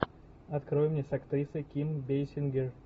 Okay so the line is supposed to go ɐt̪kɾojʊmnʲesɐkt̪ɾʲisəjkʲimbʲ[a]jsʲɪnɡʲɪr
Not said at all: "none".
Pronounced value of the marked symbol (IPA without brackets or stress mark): e